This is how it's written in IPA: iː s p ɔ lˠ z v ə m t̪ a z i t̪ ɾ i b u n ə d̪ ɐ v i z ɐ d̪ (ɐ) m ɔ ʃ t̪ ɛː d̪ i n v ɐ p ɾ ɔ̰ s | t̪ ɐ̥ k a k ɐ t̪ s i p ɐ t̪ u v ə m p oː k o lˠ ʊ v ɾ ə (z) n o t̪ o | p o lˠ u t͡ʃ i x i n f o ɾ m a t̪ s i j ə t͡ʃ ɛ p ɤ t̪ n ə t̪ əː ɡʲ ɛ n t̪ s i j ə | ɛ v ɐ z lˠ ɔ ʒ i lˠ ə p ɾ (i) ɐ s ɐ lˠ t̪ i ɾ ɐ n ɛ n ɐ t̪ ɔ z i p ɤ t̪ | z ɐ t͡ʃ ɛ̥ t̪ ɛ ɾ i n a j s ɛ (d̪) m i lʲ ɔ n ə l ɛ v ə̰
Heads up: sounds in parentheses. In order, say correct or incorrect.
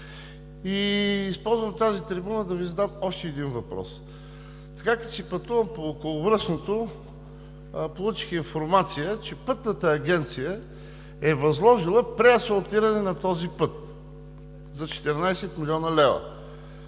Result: incorrect: a, incorrect: s, incorrect: ɛ, incorrect: t̪

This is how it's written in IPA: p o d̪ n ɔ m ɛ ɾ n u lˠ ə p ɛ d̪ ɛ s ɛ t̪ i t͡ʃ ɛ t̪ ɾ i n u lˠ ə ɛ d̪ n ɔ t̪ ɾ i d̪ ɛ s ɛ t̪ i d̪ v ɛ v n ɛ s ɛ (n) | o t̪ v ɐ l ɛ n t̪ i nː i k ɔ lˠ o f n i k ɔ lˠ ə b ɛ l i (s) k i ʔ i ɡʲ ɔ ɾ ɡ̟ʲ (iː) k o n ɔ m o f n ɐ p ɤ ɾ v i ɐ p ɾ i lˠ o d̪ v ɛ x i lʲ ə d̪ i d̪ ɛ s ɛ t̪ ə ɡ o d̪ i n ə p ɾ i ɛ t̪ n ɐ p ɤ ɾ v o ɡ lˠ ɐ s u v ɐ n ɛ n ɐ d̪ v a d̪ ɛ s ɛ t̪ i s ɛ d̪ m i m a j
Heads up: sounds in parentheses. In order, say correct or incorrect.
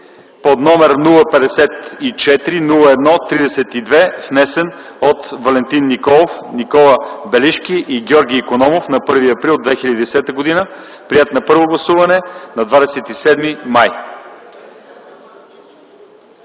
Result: correct, incorrect: ʃ, correct

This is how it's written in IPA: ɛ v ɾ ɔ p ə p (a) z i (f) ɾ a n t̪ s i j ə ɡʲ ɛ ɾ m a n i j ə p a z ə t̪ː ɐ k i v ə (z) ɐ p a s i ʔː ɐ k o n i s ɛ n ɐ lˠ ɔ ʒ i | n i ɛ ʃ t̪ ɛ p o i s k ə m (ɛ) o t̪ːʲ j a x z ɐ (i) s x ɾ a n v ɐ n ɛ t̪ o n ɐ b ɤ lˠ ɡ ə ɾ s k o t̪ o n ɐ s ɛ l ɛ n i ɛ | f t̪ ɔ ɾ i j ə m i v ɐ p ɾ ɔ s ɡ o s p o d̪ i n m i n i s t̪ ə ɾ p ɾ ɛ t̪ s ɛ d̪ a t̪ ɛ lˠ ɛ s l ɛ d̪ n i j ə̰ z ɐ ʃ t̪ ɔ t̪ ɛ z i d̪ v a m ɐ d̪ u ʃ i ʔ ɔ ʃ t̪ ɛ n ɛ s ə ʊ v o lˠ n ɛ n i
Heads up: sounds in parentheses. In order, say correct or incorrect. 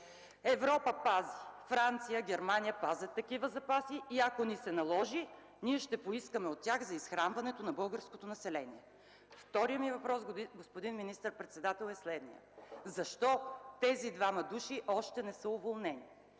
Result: correct, correct, correct, correct, correct

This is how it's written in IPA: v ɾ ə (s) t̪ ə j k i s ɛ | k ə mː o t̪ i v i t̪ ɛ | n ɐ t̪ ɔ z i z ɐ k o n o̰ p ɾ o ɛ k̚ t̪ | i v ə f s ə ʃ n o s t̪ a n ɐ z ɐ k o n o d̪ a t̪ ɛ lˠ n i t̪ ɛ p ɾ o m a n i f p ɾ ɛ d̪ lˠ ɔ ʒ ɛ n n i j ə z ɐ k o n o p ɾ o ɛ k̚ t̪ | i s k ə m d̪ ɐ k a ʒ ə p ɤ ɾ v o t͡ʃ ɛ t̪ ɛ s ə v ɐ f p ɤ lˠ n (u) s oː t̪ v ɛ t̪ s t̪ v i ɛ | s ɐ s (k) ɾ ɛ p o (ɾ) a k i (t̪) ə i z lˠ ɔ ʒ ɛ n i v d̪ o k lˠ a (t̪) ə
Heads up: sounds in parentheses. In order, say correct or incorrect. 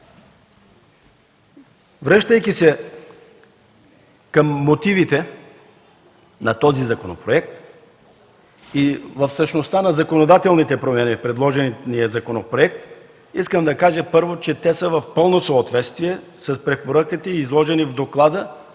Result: incorrect: ʃ, incorrect: o, incorrect: p, correct, correct, incorrect: d̪

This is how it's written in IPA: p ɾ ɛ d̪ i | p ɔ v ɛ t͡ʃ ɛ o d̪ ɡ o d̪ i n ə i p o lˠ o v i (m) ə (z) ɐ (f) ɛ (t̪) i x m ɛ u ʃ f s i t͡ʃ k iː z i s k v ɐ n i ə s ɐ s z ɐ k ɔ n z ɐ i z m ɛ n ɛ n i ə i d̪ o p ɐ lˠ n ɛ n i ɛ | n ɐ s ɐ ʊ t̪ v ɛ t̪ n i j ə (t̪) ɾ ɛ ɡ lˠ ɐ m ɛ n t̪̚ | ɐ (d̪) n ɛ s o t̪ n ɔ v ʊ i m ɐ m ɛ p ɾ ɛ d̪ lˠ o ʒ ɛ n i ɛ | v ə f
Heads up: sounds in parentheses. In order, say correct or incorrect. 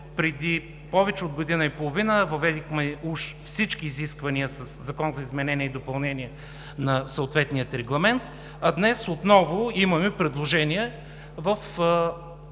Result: incorrect: n, incorrect: v, incorrect: v, incorrect: d̪, correct, correct

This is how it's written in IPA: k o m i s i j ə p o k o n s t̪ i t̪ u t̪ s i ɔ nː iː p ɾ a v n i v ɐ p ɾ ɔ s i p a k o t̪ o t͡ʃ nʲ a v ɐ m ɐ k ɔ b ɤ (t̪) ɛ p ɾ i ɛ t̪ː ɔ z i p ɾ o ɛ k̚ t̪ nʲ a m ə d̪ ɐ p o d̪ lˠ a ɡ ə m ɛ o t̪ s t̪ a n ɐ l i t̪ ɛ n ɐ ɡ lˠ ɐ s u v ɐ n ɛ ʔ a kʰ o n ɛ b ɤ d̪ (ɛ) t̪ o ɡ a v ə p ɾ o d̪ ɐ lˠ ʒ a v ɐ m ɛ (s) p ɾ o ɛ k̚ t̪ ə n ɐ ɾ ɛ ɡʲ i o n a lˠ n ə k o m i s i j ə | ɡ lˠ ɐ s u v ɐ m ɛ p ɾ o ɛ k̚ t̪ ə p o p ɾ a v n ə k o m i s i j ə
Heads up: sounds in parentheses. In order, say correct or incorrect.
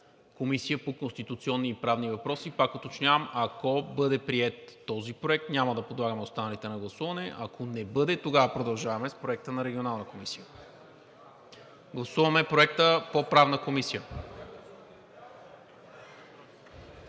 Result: incorrect: d̪, correct, correct

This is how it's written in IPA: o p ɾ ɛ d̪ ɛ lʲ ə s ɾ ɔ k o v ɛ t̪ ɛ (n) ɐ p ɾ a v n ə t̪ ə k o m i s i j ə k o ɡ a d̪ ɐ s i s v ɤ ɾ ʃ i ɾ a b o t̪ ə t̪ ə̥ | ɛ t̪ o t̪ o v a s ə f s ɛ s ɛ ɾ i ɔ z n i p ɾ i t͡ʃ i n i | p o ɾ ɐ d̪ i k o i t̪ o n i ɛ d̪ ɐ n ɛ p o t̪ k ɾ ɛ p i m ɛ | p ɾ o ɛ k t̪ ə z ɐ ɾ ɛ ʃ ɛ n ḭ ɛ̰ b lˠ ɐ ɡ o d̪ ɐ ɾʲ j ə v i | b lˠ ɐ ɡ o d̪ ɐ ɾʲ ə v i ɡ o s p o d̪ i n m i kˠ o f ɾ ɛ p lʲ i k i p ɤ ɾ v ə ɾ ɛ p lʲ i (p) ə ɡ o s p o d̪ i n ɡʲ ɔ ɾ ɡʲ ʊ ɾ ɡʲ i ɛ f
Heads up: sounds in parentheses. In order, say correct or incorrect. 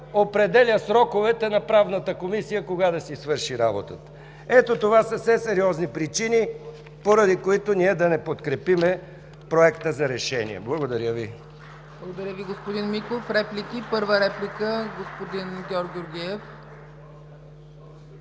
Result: correct, incorrect: k

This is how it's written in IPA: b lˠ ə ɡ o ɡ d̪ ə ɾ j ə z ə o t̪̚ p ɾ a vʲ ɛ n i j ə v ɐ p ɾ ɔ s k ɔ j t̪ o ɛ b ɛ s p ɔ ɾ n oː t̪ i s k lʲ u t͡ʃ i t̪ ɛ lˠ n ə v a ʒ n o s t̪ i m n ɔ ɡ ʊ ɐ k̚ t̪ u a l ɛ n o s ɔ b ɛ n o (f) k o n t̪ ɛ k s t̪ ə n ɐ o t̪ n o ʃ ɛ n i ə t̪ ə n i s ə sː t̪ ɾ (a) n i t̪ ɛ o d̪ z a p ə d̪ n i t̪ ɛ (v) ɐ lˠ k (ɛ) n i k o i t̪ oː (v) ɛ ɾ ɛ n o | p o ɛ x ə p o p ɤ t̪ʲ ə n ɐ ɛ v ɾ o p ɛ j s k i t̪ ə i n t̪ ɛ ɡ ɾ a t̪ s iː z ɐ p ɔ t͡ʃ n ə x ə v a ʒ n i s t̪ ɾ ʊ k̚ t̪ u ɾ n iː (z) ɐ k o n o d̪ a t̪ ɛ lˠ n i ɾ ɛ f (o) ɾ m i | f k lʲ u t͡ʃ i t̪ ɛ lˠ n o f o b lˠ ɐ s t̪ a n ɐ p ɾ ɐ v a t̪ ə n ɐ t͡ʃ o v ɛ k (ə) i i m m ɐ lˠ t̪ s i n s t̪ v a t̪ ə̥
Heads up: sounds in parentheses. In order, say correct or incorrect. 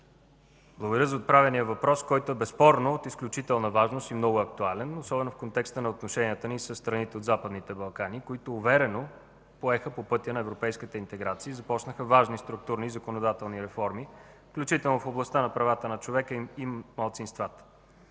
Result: correct, incorrect: ɐ, incorrect: b, incorrect: a, correct, correct, incorrect: ɔ, correct

